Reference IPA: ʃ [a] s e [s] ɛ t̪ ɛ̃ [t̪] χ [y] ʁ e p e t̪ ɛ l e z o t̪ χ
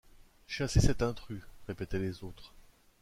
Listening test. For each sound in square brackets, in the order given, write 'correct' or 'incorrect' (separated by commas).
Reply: correct, correct, correct, correct